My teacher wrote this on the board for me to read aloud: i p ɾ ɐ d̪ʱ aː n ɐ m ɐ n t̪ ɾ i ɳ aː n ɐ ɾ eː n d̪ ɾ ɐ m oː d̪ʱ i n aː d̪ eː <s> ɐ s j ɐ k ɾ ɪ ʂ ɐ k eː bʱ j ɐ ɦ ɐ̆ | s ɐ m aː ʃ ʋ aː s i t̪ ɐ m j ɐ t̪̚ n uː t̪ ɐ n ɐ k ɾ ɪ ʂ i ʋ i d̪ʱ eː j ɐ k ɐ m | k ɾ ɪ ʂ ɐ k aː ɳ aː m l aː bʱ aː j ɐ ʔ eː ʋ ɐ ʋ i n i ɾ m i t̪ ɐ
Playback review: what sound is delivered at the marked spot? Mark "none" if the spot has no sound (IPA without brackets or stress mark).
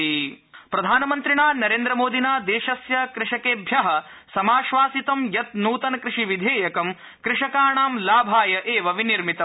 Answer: ʃ